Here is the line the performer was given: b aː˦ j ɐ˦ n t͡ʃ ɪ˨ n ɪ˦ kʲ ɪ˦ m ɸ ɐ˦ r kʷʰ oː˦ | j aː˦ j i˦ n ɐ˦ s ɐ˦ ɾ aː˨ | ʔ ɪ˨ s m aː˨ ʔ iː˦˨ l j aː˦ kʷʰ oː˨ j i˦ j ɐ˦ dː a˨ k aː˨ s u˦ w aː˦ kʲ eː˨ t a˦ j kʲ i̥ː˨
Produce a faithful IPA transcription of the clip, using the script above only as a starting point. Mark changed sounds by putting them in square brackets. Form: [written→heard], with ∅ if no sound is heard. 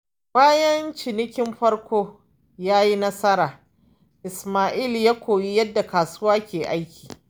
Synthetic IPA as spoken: b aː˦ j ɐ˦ n t͡ʃ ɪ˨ n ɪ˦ kʲ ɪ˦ m ɸ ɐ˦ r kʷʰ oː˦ | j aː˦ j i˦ n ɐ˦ s ɐ˦ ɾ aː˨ | ʔ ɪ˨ s m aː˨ ʔ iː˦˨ l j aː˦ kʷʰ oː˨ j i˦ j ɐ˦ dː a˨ k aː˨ s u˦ w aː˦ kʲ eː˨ [t→ʔ] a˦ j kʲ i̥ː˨